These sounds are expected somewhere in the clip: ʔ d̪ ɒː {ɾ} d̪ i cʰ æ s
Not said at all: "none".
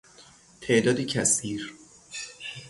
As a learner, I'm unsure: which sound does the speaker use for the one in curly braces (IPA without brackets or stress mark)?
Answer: none